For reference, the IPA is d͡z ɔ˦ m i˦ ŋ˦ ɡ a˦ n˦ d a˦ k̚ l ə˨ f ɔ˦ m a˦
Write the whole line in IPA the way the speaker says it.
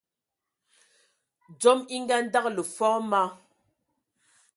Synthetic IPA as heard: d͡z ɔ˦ m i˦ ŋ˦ ɡ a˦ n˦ d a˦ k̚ l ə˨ f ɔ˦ m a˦

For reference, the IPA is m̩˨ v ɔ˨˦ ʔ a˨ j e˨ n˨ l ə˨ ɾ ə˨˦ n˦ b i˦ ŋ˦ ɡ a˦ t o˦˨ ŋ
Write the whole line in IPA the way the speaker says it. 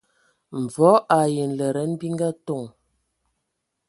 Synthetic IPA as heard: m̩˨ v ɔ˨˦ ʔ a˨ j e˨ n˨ l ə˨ ɾ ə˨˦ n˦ b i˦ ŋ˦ ɡ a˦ t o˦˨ ŋ

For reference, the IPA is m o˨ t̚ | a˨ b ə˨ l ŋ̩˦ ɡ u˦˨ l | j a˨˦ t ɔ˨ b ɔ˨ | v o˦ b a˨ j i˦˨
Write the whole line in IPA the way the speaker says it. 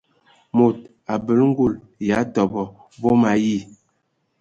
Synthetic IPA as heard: m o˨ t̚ | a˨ b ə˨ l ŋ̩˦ ɡ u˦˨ l | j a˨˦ t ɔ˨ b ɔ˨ | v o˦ m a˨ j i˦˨

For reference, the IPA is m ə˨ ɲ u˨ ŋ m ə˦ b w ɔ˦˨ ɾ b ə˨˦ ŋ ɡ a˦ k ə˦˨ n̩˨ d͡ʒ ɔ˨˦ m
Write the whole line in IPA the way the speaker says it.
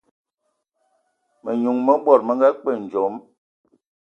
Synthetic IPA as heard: m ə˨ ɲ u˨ ŋ m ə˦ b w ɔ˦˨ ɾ m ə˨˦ ŋ ɡ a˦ k͡p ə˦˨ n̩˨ d͡ʒ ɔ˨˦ m

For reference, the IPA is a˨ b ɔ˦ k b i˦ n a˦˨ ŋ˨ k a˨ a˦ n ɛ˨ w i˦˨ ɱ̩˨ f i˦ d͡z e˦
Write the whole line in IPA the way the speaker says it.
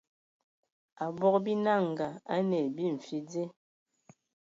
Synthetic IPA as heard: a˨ b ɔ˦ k b i˦ n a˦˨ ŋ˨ ɡ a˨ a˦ n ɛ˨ b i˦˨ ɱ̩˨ f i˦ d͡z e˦

